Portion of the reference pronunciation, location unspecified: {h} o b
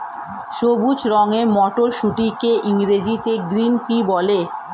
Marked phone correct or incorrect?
incorrect